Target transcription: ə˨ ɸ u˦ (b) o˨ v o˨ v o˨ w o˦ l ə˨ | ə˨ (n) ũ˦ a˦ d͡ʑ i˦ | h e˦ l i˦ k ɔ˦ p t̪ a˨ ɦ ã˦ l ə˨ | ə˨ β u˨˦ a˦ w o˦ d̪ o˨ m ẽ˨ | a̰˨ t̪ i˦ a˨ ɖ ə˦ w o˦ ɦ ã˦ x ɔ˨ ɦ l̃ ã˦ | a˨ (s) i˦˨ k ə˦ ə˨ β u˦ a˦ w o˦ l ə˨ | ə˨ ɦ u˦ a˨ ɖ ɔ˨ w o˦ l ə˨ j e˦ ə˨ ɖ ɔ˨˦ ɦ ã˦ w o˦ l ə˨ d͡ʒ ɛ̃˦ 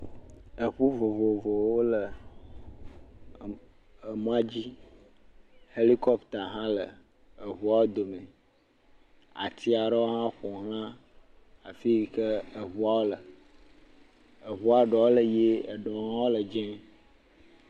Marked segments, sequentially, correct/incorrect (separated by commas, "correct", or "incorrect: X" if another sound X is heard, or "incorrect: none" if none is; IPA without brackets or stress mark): incorrect: v, incorrect: m, incorrect: f